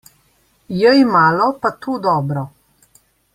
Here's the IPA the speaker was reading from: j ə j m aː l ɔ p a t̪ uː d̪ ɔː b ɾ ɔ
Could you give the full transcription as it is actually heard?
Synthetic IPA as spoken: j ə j m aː l ɔ p a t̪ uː d̪ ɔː b ɾ ɔ

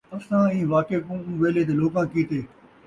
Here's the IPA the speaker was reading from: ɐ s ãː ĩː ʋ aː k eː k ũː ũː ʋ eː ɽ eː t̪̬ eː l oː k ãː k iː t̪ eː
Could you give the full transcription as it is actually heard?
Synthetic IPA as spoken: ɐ s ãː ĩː ʋ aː k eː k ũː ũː ʋ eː l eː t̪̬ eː l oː k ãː k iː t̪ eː

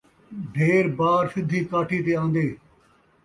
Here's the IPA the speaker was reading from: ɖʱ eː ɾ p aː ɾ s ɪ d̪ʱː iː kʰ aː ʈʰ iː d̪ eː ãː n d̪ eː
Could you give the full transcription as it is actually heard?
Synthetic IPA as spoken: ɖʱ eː ɾ b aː ɾ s ɪ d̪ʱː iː k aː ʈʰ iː t̪ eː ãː n d̪ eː

